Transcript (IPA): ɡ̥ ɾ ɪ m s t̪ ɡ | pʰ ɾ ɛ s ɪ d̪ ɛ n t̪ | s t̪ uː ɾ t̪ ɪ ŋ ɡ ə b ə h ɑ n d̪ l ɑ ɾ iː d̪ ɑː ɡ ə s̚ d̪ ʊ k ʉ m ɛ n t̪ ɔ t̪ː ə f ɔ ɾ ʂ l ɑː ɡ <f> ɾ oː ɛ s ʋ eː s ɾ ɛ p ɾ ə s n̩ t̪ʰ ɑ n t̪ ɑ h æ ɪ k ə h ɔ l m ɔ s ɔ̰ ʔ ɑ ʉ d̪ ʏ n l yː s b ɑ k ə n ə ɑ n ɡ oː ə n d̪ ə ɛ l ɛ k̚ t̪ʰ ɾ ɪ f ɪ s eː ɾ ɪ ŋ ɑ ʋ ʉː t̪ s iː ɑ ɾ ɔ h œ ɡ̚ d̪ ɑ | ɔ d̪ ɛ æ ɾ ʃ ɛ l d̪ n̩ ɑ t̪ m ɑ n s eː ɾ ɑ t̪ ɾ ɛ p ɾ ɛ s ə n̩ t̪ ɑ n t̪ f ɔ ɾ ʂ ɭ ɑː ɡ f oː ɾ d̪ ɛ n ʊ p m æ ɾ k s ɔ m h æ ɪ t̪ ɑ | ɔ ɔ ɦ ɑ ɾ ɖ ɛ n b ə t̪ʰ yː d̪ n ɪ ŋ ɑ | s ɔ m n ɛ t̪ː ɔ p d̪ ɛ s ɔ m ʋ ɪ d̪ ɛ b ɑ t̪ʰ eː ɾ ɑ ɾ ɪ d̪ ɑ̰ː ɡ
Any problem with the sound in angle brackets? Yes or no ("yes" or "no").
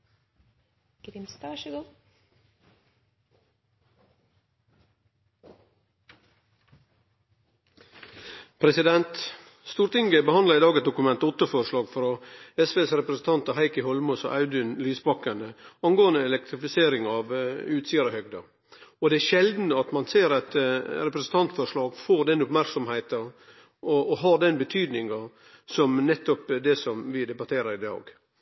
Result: no